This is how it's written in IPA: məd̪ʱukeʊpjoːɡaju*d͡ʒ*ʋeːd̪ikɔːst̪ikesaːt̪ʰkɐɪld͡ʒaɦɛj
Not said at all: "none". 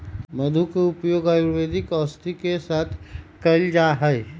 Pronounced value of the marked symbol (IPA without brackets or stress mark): none